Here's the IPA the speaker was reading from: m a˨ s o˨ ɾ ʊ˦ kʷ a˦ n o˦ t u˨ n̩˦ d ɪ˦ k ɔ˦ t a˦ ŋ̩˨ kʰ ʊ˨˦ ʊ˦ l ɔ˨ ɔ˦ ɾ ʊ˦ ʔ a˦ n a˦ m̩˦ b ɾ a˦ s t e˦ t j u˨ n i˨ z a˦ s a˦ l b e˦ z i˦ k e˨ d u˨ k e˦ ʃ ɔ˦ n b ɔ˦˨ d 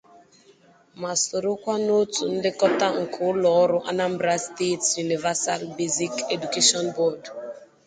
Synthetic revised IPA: m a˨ s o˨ ɾ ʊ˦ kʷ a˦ n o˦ t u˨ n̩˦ d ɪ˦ k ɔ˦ t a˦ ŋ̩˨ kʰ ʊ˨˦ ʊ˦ l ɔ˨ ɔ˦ ɾ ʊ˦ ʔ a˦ n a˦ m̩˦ b ɾ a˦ s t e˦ t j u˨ n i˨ v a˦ s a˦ l b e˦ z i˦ k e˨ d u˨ k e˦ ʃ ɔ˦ n b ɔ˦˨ d